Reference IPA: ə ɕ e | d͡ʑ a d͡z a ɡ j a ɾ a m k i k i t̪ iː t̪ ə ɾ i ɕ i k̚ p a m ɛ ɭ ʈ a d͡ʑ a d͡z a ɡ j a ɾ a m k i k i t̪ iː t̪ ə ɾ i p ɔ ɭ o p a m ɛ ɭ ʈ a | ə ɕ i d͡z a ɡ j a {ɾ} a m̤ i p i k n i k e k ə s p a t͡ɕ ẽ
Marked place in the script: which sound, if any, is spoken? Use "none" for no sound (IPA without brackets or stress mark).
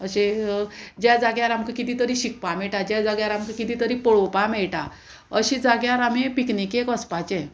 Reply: ɾ